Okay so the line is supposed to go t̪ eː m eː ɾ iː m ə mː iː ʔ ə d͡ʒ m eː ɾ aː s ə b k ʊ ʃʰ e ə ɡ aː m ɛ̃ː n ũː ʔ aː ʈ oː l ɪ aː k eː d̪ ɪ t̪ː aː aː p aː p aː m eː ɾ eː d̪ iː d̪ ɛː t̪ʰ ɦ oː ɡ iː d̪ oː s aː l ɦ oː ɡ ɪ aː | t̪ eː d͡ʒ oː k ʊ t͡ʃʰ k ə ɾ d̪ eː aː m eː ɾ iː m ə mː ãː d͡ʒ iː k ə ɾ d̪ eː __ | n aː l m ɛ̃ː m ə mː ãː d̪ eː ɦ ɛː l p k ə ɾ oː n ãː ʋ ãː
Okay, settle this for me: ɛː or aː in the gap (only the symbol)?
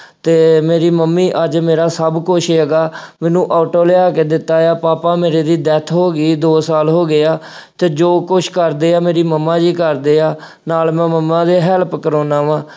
aː